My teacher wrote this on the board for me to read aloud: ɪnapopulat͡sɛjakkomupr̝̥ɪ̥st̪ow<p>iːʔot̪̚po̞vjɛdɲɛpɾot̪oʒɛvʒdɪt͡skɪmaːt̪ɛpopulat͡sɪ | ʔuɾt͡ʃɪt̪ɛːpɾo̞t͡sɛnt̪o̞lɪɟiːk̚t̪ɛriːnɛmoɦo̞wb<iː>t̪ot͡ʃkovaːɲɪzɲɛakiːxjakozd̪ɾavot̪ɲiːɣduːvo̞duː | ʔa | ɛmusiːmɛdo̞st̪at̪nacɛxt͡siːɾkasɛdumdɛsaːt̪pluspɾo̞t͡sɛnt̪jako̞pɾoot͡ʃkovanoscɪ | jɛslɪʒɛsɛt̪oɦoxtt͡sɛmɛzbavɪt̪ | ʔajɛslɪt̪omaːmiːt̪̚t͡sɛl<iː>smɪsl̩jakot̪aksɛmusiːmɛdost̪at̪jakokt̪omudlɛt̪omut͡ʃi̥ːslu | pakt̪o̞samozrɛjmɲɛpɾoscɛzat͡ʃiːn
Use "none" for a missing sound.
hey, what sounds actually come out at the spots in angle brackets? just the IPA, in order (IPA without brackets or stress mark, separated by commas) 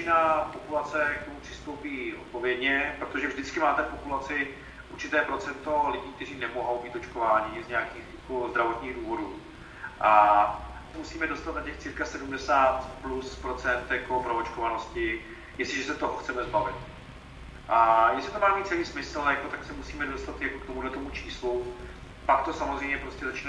p, iː, iː